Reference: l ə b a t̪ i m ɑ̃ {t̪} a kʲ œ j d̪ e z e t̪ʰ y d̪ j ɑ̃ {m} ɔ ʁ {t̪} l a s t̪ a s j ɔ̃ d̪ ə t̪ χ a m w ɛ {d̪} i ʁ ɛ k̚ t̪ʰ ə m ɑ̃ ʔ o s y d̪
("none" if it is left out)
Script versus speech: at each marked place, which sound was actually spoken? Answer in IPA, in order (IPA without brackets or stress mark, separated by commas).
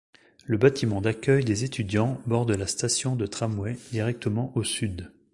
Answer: d̪, b, d̪, d̪